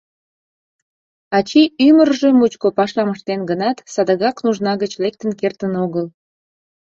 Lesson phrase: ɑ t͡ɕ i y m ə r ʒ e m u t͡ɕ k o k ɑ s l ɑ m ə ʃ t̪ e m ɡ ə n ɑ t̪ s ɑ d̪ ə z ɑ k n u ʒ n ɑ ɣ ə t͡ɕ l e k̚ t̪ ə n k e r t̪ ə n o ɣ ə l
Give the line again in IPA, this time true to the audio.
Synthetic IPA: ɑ t͡ɕ i y m ə r ʒ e m u t͡ɕ k o p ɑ ʃ l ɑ m ə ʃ t̪ e n ɡ ə n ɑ t̪ s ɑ d̪ ə ɣ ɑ k n u ʒ n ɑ ɣ ə t͡ɕ l e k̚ t̪ ə n k e r t̪ ə n o ɣ ə l